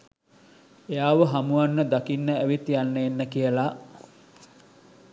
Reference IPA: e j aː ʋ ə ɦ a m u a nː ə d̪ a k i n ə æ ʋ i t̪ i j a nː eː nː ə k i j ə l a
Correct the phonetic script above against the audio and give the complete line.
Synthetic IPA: e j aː ʋ ə ɦ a m u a nː ə d̪ a k i nː ə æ ʋ i t̪ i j a nː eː nː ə k i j ə l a